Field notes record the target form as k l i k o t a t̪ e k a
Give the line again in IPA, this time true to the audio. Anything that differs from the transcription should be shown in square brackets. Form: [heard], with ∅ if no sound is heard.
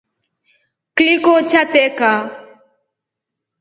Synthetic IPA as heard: k l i k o [t͡ʃ] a t̪ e k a